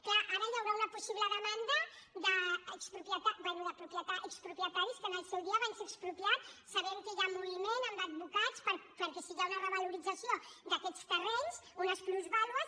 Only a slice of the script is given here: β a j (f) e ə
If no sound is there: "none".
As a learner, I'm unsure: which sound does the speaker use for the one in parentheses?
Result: s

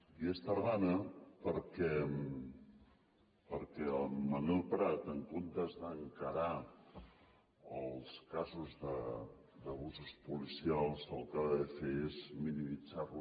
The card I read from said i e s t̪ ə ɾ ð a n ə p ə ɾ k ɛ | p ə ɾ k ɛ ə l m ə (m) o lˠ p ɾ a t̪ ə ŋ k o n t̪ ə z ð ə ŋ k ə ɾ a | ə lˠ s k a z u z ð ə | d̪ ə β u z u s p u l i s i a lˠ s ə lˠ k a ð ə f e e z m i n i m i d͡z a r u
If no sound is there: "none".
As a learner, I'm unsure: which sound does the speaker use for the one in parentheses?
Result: n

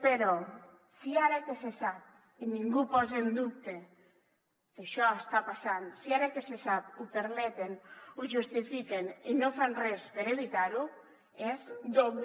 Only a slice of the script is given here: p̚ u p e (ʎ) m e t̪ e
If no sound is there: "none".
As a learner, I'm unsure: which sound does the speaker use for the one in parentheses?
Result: ɾ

